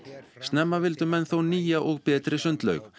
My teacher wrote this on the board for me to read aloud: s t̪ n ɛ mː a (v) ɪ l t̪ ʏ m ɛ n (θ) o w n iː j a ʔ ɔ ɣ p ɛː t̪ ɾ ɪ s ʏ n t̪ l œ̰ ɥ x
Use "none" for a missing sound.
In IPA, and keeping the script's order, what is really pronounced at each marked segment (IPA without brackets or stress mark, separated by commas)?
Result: v, θ